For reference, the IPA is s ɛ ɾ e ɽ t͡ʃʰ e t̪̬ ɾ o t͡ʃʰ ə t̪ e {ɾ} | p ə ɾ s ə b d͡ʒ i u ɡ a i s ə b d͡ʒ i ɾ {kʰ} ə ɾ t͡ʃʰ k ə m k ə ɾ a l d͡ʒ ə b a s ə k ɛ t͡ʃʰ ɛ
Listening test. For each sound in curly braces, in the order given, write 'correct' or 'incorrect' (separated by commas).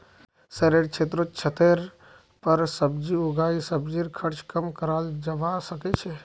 correct, correct